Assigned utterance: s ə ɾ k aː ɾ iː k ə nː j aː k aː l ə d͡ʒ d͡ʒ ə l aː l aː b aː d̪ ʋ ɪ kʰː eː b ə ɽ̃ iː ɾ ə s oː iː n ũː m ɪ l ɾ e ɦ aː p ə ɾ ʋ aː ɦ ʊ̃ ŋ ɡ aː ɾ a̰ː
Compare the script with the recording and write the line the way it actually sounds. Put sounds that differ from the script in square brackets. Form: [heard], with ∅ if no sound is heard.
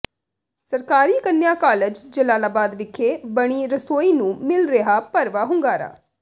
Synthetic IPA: s ə ɾ k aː ɾ iː k ə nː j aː k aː l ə d͡ʒ d͡ʒ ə l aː l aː b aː d̪ ʋ ɪ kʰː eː b ə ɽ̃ iː ɾ ə s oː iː n ũː m ɪ l ɾ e ɦ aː p ə ɾ ʋ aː ɦ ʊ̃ ŋ ɡ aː ɾ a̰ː